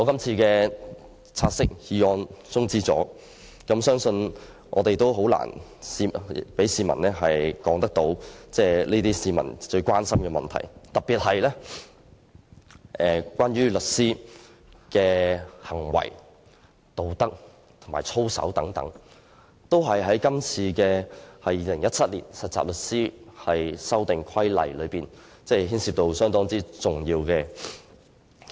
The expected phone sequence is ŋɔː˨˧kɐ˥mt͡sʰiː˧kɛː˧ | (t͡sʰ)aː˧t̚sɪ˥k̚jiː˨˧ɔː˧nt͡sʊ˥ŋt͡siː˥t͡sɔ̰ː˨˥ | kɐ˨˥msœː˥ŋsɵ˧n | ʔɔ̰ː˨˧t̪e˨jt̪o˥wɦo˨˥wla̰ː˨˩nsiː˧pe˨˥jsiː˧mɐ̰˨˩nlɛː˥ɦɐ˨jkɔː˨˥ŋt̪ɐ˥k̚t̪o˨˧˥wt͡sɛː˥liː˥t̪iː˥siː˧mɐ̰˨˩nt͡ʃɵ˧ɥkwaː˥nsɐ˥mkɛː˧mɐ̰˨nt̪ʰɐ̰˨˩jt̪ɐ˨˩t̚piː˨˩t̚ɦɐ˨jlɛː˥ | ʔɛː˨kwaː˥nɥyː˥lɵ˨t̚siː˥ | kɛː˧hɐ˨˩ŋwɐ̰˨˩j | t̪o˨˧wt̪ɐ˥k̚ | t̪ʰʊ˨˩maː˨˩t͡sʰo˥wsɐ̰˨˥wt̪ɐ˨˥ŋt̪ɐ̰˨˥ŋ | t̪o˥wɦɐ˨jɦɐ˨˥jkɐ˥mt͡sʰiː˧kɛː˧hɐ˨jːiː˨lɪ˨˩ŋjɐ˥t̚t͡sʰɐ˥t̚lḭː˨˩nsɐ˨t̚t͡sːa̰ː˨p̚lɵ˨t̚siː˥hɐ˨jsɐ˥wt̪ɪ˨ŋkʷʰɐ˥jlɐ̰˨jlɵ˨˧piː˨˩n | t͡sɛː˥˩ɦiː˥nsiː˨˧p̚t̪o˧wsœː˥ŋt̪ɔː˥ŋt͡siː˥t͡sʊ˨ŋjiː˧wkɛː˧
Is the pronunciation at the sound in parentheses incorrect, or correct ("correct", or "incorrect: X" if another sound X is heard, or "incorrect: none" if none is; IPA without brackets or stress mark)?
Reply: correct